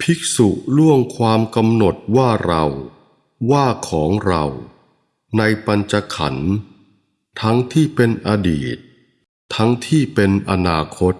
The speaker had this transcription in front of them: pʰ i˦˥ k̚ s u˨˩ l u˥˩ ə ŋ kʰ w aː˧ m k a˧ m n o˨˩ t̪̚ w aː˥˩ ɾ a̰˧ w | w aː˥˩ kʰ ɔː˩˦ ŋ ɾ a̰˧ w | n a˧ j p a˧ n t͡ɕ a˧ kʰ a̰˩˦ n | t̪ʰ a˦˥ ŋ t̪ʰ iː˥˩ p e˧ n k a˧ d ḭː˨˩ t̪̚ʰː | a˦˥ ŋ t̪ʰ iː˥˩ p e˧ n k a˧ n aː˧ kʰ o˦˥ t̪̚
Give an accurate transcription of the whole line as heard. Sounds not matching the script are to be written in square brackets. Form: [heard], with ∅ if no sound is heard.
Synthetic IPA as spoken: pʰ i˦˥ k̚ s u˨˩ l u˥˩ ə ŋ kʰ w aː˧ m k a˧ m n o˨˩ t̪̚ w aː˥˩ ɾ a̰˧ w | w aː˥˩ kʰ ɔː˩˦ ŋ ɾ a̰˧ w | n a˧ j p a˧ n t͡ɕ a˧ kʰ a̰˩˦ n | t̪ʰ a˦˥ ŋ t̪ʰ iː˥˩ p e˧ n [ʔ] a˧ d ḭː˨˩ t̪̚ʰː | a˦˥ ŋ t̪ʰ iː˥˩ p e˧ n [ʔ] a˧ n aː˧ kʰ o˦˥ t̪̚